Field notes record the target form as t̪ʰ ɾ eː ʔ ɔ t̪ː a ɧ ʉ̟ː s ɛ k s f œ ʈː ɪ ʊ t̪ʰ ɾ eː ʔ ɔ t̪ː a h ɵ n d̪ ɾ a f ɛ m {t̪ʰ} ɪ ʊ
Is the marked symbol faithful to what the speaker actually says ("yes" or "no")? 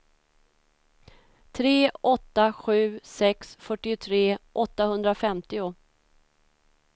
no